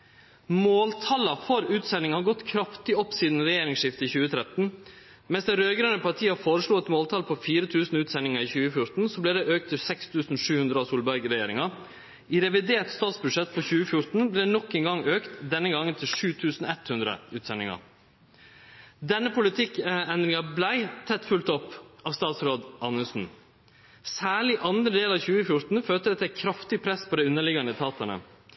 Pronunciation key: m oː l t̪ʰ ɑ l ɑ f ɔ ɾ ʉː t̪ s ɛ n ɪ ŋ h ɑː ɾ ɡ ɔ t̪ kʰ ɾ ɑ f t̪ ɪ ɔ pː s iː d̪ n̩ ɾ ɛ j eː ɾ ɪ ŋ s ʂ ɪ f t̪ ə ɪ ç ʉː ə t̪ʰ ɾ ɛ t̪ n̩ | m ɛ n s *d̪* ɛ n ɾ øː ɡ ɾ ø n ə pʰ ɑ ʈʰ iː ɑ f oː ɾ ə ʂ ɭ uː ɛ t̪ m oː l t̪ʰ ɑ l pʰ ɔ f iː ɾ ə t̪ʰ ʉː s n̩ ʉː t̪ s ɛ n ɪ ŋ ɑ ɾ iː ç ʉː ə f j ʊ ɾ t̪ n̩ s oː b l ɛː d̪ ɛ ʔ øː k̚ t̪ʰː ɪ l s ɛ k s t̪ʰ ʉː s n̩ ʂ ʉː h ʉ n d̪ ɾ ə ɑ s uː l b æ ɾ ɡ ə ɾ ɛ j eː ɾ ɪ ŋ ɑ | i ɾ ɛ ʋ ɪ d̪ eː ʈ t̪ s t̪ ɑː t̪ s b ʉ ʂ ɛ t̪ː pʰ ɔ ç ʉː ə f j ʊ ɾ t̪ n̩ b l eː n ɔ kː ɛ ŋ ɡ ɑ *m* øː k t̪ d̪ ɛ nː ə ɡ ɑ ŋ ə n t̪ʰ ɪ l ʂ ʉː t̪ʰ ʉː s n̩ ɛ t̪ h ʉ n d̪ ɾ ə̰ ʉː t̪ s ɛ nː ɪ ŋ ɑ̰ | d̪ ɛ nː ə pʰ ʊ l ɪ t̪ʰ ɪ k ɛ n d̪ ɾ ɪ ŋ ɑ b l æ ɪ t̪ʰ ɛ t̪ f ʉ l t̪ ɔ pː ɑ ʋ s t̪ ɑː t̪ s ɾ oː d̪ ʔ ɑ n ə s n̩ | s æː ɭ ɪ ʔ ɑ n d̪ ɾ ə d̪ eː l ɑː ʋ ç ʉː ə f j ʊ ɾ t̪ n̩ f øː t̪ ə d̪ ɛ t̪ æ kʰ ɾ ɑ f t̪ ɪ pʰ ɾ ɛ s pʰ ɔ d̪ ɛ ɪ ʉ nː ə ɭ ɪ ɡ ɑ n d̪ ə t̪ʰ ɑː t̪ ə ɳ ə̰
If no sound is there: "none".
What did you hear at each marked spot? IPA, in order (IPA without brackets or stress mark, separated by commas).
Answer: d̪, ŋ